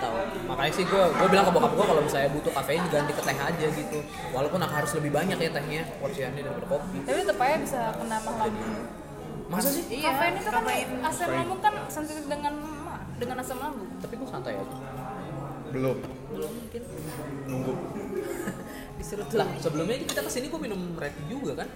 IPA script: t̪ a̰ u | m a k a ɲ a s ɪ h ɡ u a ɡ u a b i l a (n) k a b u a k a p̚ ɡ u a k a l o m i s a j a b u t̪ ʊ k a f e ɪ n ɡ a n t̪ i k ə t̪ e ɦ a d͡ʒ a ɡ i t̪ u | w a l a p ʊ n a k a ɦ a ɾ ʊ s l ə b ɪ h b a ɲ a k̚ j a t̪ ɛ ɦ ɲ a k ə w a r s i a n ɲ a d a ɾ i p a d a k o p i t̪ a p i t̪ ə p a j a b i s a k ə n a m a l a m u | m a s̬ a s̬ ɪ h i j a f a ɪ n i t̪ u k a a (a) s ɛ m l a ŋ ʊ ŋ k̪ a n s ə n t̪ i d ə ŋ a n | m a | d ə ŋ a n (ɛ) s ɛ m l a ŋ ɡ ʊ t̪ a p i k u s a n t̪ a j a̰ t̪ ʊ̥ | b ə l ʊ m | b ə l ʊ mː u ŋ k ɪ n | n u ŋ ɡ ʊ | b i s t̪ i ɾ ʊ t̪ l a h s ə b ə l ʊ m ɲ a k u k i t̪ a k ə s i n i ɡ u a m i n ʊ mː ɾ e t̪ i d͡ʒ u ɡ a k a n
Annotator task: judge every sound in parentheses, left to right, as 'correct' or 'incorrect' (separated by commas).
incorrect, correct, incorrect